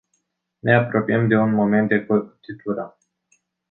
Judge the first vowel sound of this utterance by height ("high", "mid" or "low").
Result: mid